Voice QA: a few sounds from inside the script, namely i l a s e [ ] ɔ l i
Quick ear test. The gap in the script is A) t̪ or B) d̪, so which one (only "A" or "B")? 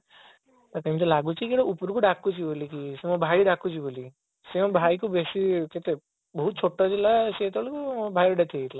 A